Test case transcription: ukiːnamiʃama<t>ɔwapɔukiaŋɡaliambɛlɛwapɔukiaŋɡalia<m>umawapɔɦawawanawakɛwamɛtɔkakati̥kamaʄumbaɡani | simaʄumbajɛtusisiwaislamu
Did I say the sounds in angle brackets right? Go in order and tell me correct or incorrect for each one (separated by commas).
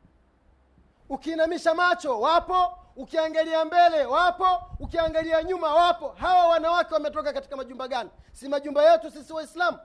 incorrect, incorrect